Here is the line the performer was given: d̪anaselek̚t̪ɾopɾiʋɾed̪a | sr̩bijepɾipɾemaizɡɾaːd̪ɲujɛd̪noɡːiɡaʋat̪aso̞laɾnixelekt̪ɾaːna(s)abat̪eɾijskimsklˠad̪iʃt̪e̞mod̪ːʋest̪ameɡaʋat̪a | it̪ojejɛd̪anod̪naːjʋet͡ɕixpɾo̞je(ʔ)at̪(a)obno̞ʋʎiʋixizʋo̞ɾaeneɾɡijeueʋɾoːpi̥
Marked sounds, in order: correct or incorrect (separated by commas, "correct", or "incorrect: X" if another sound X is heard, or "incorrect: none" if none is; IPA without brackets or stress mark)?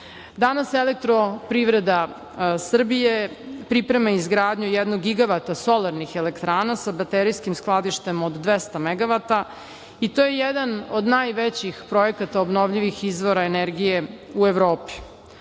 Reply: correct, incorrect: k, correct